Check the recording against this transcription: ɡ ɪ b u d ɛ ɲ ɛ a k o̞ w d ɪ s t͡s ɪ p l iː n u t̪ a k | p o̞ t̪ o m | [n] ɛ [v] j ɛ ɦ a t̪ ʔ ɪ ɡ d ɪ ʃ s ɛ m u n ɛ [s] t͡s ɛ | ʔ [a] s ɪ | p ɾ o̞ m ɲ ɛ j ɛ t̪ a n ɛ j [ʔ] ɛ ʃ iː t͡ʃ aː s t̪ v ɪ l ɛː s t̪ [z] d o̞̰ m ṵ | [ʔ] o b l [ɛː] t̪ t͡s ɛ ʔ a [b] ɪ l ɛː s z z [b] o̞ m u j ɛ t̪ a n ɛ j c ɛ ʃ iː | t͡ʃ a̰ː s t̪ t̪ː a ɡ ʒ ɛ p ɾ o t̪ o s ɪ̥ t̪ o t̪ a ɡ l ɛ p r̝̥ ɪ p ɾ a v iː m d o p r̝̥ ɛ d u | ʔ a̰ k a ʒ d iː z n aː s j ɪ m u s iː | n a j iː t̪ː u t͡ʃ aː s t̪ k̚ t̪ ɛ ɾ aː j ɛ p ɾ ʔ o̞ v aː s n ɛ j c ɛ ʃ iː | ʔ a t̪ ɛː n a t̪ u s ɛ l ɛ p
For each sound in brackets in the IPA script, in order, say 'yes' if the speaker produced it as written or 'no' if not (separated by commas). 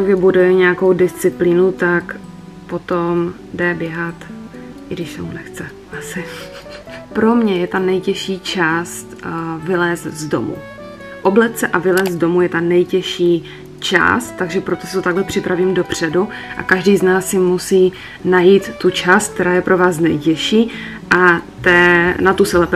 no, no, no, yes, no, yes, yes, no, no, no